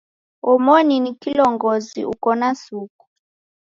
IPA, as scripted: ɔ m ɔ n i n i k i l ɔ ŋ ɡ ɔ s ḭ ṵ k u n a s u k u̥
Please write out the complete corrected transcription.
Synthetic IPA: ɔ m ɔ n i n i k i l ɔ ŋ ɡ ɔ z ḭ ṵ k ɔ n a s u k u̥